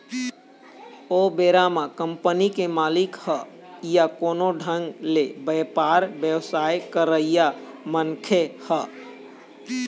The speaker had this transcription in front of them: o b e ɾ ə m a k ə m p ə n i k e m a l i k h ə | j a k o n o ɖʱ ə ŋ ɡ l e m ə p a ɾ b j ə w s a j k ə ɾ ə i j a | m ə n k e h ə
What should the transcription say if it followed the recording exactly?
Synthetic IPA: o b e ɾ a m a k ə m p ə n i k e m a l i k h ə | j a k o n o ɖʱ ə ŋ ɡ l e b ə p a ɾ b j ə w s a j k ə ɾ ə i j a | m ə n kʰ e h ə